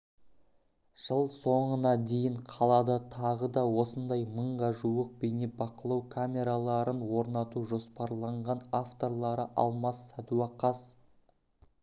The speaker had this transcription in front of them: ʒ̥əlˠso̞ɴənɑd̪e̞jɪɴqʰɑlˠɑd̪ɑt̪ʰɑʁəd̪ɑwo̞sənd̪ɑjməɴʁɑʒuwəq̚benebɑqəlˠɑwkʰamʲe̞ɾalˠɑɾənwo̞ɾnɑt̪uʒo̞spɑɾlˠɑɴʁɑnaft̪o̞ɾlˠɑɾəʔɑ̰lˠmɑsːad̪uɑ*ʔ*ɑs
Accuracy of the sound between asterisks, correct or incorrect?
incorrect: q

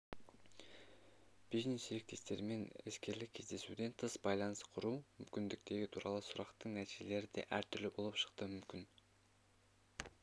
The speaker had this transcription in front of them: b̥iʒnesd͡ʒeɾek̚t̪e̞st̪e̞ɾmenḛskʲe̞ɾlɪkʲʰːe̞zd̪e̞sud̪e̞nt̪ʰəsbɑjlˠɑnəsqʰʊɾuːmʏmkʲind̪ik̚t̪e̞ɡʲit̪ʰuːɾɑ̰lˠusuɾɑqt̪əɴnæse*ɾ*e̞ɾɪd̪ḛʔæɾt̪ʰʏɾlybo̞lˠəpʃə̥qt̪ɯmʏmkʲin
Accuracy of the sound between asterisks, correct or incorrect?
incorrect: l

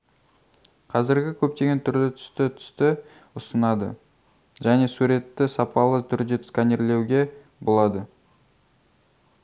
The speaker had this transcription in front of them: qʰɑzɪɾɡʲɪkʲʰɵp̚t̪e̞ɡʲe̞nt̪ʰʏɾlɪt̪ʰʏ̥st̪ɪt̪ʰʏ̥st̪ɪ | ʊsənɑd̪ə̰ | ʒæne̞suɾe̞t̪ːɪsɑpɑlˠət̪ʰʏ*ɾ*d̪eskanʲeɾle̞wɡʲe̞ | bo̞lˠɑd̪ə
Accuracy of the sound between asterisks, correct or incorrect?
correct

